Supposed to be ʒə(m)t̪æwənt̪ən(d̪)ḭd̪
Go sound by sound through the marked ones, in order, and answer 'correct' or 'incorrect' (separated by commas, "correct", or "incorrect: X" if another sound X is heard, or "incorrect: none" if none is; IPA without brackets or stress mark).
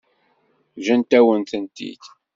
incorrect: n, incorrect: t̪